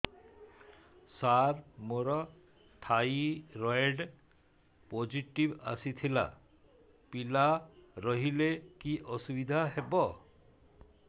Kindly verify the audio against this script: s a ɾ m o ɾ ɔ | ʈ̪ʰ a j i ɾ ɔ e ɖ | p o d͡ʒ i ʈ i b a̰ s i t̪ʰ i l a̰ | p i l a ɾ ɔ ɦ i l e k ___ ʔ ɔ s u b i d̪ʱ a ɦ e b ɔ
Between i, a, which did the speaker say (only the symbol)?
i